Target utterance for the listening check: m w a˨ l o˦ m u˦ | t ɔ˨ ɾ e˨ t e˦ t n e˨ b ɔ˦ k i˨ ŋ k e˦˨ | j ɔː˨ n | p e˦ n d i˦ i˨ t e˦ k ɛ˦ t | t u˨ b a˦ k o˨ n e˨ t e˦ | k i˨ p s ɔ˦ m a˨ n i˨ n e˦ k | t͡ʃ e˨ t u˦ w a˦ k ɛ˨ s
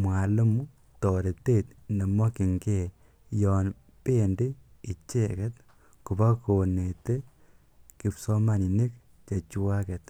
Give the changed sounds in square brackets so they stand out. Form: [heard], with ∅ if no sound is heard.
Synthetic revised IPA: m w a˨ l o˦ m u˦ | t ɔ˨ ɾ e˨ t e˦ t n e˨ [m] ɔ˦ k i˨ ŋ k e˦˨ | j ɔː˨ n | p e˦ n d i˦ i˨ [t͡ʃ] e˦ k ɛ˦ t | [k] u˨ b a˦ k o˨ n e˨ t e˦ | k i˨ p s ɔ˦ m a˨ n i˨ n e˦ k | t͡ʃ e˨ [t͡ʃ] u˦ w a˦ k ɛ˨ [t]